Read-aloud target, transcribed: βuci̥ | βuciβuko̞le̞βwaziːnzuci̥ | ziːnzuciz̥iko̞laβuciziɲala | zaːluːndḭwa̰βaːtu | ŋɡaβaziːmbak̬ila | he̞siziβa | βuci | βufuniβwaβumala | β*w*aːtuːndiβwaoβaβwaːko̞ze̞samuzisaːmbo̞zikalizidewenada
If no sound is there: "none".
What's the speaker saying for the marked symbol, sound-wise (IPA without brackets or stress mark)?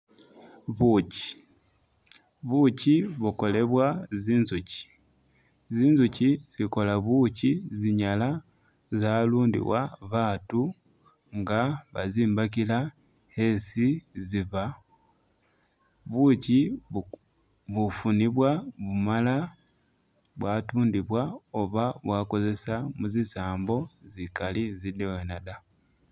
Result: w